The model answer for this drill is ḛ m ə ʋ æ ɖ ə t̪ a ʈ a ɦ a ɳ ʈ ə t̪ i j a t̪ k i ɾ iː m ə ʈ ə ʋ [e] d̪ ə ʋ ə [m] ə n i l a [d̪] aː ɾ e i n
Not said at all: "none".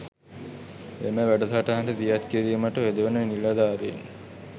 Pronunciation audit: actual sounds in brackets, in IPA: e, n, d̪

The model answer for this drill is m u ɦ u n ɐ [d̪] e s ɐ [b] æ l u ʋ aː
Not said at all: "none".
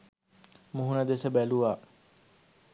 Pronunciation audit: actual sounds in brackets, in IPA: d̪, b

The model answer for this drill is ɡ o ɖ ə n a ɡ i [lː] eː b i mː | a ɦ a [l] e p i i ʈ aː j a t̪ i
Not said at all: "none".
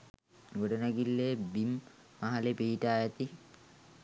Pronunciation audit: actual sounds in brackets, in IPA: lː, l

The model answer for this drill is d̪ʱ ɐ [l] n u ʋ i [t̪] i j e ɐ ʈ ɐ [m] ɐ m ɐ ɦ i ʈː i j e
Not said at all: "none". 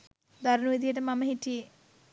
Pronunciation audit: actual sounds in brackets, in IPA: ɾ, d̪, m

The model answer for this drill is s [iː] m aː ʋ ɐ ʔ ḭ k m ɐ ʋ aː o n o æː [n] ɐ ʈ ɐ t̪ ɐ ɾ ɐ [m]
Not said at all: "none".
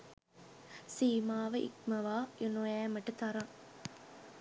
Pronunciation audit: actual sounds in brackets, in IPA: iː, m, ŋ

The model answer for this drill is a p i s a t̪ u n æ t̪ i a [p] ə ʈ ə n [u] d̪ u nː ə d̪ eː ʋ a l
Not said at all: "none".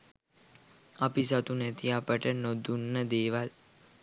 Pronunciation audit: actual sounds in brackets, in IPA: p, o

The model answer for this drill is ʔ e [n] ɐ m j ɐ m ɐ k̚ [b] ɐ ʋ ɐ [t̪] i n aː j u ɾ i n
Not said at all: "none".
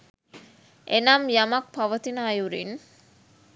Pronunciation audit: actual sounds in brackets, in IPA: n, p, t̪

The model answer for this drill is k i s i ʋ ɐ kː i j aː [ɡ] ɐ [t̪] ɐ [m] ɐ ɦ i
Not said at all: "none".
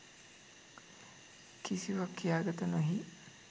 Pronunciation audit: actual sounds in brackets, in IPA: ɡ, t̪, n

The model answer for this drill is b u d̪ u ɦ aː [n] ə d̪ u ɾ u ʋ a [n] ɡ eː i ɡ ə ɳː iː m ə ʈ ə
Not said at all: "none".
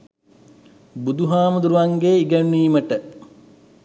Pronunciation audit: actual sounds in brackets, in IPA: m, ŋ

